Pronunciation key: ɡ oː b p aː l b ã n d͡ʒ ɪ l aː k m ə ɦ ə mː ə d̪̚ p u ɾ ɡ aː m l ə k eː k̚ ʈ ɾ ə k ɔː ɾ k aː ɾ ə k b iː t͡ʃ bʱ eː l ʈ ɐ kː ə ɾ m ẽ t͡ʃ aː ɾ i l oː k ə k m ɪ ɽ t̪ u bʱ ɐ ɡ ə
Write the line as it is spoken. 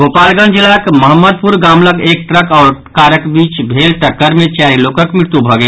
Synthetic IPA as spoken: ɡ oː p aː l ɡ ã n d͡ʒ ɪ l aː k m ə ɦ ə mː ə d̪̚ p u ɾ ɡ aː m l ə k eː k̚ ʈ ɾ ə k ɔː ɾ k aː ɾ ə k b iː t͡ʃ bʱ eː l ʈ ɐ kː ə ɾ m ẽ t͡ʃ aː ɾ i l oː k ə k m ɪ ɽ t̪ u bʱ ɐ ɡ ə